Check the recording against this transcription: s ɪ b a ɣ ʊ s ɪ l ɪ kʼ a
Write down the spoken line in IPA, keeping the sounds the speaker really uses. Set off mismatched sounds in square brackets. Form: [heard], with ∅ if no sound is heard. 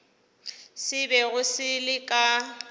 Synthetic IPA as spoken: s ɪ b [ɛ] ɣ ʊ s ɪ l ɪ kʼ a

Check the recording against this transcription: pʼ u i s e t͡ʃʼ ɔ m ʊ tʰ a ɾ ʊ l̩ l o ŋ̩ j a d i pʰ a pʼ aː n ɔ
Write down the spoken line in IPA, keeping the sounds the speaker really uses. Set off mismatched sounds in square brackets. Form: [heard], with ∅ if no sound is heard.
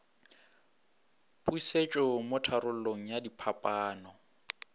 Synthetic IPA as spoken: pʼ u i s e t͡ʃʼ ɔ m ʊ tʰ a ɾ ʊ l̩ l o ŋ̩ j a d i pʰ a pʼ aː n ɔ

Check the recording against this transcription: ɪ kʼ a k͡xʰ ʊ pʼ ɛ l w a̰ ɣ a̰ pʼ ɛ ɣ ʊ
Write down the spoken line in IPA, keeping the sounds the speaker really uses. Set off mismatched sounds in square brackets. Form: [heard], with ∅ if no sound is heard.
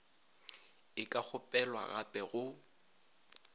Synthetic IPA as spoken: ɪ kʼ a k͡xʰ ʊ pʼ ɛ l w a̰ ɣ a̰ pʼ ɛ ɣ ʊ

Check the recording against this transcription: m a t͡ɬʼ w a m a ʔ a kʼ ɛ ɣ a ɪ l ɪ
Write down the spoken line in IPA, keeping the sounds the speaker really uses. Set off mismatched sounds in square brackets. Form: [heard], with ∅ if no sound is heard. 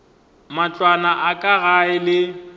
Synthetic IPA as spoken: m a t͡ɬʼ w a [n] a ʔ a kʼ [a] ɣ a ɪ l ɪ

